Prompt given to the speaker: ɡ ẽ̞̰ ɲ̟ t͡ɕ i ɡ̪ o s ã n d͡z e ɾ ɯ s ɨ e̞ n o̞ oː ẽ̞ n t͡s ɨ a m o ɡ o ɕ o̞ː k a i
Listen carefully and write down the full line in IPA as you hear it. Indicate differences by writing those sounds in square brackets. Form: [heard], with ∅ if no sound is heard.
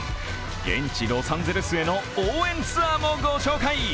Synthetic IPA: ɡ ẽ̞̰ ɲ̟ t͡ɕ i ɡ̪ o s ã n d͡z e ɾ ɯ s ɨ e̞ n o̞ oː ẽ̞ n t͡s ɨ a m o ɡ o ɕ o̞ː k a i